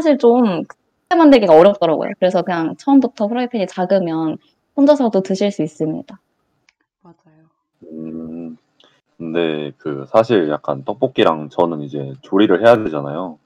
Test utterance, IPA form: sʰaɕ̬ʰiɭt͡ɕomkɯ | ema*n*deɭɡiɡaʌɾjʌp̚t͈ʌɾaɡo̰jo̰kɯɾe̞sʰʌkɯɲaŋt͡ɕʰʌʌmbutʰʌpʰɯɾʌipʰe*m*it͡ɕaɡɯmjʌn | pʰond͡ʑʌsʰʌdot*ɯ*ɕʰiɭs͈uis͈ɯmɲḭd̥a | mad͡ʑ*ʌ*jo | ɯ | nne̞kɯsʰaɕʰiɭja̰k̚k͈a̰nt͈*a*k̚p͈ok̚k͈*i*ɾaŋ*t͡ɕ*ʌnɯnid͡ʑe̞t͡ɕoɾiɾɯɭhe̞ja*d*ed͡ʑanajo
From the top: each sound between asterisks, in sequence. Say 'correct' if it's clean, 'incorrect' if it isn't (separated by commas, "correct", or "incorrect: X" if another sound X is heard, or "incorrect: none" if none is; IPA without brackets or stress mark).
correct, incorrect: ɲ, correct, incorrect: a, incorrect: ʌ, correct, correct, correct